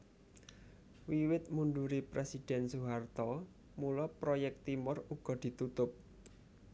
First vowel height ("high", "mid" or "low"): high